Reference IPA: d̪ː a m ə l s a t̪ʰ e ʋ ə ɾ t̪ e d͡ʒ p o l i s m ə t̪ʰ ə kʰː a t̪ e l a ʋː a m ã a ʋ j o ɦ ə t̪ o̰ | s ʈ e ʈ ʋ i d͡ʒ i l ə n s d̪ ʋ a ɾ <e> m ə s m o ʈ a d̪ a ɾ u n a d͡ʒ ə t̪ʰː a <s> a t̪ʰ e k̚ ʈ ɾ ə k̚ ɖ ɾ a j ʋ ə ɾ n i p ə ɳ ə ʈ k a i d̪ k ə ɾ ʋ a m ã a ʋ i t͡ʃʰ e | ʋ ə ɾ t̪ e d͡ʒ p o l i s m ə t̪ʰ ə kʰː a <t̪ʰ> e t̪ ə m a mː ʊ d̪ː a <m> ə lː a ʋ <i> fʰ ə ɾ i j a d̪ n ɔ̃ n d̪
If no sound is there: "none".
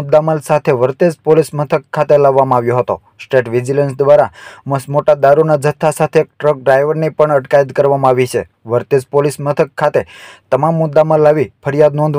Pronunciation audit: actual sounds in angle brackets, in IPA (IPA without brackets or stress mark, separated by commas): a, s, t̪, m, i